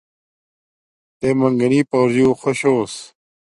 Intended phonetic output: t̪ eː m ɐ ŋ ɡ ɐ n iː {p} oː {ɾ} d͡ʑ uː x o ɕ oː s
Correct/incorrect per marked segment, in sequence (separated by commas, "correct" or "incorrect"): correct, correct